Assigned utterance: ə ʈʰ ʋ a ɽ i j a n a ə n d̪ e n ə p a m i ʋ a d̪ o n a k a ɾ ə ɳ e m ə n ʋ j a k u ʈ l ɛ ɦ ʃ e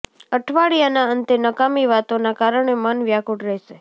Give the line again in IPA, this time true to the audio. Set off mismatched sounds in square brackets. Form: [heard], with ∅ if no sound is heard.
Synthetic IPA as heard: ə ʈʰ ʋ a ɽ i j a n a ə n [t̪] e n ə [k] a m i ʋ a [t̪] o n a k a ɾ ə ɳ e m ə n ʋ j a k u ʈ [ɾ] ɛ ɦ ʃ e